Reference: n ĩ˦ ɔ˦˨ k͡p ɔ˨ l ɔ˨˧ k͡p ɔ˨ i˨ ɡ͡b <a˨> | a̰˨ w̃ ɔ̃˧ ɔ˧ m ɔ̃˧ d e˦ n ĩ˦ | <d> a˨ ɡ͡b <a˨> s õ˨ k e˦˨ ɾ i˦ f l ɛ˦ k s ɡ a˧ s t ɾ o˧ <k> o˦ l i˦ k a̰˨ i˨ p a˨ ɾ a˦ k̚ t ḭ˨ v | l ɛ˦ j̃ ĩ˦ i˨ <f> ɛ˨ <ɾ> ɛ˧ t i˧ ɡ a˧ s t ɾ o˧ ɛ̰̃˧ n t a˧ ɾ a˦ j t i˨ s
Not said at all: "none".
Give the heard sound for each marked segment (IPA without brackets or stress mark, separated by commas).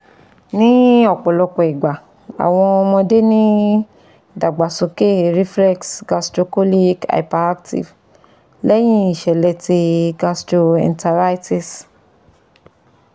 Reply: a˨, d, a˨, k, ʃ, l